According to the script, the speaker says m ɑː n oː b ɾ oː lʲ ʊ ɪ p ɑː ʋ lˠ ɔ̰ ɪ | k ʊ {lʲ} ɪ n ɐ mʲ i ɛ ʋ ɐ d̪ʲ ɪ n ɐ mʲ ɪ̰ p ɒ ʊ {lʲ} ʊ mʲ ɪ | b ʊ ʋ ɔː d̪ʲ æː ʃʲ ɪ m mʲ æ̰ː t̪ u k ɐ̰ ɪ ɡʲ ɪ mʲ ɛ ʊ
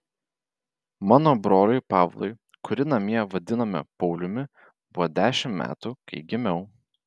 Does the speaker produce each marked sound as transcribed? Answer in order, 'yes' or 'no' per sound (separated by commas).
no, yes